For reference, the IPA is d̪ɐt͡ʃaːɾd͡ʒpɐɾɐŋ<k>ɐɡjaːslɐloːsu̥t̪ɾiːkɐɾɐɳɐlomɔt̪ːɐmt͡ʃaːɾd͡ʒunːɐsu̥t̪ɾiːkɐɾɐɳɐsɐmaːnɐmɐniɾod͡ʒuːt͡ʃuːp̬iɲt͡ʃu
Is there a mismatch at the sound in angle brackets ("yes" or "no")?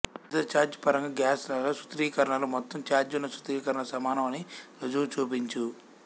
yes